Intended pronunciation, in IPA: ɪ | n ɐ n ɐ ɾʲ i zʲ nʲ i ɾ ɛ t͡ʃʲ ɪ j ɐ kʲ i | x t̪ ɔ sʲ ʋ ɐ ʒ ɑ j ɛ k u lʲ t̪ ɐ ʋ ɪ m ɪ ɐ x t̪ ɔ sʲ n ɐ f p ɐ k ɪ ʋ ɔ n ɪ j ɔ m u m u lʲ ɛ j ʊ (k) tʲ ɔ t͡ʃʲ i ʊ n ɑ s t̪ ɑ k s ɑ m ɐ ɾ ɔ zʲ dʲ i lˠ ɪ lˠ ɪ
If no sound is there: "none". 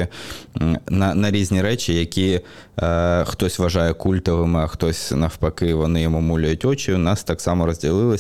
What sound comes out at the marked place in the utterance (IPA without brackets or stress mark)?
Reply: none